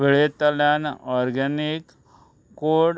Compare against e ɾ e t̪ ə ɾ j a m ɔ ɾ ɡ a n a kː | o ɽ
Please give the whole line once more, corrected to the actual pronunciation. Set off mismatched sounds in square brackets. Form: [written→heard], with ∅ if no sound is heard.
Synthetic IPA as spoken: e [ɾ→ɭ] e t̪ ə [ɾ→l] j a [m→n] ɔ ɾ ɡ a n [a→i] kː | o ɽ